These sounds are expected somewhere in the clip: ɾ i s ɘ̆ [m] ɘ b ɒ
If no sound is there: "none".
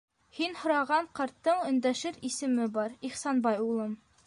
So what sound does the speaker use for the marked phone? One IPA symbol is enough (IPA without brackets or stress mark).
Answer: m